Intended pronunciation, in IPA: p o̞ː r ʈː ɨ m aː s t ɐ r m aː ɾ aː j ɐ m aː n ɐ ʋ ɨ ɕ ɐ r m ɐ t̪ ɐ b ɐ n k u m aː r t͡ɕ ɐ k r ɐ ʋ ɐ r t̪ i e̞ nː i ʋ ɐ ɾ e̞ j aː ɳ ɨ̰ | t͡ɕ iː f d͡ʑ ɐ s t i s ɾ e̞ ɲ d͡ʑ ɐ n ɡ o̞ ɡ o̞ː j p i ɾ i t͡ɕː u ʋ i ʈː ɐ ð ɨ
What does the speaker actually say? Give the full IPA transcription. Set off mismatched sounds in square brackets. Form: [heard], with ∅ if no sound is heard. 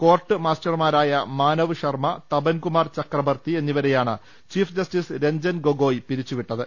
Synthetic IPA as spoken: [k] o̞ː r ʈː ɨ m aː s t ɐ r m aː ɾ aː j ɐ m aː n ɐ ʋ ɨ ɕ ɐ r m ɐ t̪ ɐ b ɐ n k u m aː r t͡ɕ ɐ k r ɐ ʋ ɐ r t̪ i e̞ nː i ʋ ɐ ɾ e̞ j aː ɳ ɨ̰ | t͡ɕ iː f d͡ʑ ɐ s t i s ɾ e̞ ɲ d͡ʑ ɐ n ɡ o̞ ɡ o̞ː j p i ɾ i t͡ɕː u ʋ i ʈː ɐ ð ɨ